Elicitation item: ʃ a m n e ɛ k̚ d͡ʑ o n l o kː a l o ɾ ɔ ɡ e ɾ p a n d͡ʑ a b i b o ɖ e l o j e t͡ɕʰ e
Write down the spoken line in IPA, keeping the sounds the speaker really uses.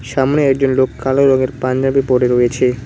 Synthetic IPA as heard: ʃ a m n e ɛ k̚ d͡ʑ o n l o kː a l o ɾ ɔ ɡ e ɾ p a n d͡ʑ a b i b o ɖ e ɾ o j e t͡ɕʰ e